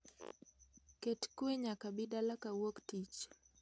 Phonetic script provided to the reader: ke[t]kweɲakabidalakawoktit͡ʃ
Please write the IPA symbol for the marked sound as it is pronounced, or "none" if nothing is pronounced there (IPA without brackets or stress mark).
t